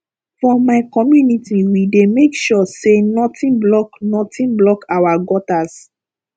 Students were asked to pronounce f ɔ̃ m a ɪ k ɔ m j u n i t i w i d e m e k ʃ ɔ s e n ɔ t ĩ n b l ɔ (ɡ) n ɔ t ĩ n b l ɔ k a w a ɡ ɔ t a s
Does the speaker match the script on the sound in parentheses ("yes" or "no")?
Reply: no